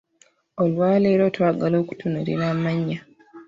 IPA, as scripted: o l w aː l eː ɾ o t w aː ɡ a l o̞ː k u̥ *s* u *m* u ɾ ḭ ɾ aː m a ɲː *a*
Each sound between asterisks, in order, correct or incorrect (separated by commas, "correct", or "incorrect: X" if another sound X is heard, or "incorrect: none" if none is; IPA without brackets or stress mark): incorrect: t, incorrect: n, correct